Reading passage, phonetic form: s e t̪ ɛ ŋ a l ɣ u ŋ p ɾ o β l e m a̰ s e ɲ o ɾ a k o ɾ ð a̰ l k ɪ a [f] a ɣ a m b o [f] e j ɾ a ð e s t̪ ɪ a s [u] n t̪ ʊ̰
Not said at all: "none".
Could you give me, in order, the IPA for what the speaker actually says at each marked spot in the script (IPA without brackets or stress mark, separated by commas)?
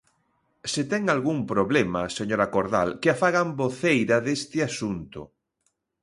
f, θ, u